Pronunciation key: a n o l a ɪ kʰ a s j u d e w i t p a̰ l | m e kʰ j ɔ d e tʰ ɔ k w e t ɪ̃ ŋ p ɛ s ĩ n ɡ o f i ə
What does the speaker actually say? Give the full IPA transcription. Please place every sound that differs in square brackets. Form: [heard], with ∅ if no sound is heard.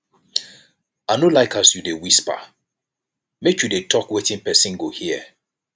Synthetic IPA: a n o l a ɪ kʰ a s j u d e w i [s] p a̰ [∅] | m e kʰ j [u] d e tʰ ɔ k w e t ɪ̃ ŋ p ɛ s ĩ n ɡ o [h] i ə